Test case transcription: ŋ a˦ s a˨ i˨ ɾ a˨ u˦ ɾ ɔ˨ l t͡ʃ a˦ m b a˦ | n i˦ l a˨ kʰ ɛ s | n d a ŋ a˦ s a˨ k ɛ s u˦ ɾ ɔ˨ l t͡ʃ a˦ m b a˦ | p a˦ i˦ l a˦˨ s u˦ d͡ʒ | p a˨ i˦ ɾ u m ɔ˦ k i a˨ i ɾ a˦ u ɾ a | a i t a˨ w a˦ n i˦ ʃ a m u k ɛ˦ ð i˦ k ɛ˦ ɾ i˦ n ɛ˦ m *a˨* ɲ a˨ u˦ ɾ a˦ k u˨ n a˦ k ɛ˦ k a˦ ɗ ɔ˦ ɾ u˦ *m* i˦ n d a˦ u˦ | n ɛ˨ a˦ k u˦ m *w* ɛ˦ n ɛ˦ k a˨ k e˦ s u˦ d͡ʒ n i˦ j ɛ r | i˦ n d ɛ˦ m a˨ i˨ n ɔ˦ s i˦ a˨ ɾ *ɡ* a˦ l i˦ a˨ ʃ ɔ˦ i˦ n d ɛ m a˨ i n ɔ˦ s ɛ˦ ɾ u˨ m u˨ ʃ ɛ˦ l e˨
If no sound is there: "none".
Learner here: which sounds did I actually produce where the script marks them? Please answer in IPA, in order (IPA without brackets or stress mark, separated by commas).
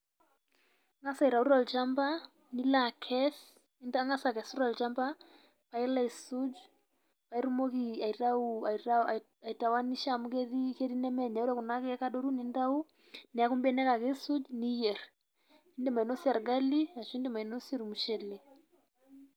ɛ˨, n, b, ɡ